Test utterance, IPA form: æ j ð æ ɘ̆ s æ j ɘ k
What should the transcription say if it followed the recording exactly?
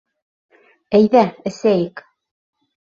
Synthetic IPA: æ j ð æ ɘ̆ s æ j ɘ k